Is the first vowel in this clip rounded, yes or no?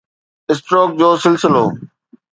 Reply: no